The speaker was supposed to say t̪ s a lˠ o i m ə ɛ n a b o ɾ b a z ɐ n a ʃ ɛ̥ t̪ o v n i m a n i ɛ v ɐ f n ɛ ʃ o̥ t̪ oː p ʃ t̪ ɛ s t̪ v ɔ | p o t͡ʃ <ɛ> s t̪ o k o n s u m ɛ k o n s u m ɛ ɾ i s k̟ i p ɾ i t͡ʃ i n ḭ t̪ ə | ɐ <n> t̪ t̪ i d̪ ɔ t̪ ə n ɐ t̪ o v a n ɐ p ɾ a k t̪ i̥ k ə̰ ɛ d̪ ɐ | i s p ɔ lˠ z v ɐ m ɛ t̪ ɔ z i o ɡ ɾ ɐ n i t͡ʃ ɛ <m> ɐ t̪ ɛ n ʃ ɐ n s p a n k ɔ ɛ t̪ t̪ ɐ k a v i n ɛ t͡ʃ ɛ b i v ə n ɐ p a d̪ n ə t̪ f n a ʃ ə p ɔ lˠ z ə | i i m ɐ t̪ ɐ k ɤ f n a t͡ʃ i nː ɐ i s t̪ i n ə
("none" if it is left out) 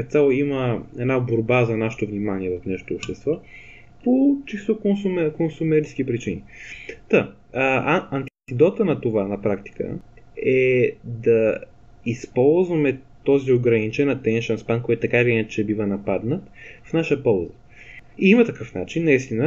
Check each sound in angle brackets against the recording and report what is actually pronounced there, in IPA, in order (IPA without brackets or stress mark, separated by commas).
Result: i, n, n